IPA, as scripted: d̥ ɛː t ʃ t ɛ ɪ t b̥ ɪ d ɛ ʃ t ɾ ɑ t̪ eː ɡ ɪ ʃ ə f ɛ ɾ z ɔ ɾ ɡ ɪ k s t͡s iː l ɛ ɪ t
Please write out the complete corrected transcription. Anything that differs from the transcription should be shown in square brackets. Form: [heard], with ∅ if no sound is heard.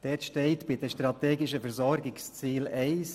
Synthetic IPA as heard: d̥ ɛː t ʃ t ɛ ɪ t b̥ ɪ d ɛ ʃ t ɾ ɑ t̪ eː ɡ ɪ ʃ ə f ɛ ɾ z ɔ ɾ ɡ ɪ k s t͡s iː l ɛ ɪ [s]